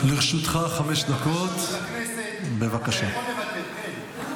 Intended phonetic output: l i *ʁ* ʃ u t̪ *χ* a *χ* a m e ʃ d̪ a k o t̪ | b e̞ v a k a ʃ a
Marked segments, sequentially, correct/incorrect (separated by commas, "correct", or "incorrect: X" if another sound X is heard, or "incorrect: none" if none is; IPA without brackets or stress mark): correct, correct, correct